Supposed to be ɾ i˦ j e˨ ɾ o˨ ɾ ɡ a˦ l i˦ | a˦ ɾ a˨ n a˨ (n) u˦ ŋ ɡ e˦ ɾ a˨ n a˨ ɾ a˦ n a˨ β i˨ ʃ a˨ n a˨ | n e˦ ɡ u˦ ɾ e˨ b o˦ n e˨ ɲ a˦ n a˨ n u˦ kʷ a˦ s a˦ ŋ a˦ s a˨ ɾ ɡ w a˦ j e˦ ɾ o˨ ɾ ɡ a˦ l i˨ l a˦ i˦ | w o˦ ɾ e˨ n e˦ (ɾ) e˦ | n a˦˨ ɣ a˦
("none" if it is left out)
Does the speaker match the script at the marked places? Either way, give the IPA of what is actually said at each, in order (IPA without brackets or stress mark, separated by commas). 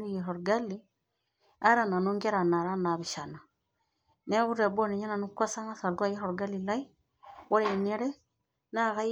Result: n, ɾ